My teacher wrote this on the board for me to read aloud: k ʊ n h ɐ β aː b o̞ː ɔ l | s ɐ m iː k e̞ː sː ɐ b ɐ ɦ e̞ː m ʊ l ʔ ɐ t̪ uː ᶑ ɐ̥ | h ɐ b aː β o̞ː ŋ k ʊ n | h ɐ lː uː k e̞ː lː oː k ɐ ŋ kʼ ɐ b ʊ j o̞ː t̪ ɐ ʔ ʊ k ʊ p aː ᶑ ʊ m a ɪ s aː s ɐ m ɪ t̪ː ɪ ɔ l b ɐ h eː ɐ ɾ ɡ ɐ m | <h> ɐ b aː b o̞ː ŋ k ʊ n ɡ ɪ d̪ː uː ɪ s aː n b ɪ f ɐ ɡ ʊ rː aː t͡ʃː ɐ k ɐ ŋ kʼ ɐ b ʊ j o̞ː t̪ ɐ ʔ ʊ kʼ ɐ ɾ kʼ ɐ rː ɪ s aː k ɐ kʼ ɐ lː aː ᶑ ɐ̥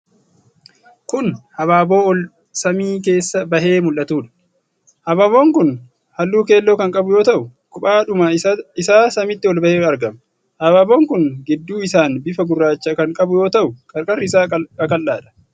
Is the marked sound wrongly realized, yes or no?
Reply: no